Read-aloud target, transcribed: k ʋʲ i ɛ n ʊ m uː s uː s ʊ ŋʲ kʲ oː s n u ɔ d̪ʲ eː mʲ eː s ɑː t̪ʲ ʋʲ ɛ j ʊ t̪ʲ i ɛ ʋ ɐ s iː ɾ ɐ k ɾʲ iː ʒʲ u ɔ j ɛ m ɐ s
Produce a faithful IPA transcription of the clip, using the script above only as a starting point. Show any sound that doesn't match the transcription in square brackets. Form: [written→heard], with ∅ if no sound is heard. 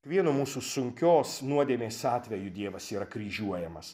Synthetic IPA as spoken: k ʋʲ i ɛ n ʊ m uː s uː s ʊ ŋʲ kʲ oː s n u ɔ d̪ʲ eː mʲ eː s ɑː t̪ʲ ʋʲ ɛ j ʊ [t̪ʲ→d̪ʲ] i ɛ ʋ ɐ s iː ɾ ɐ k ɾʲ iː ʒʲ u ɔ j ɛ m ɐ s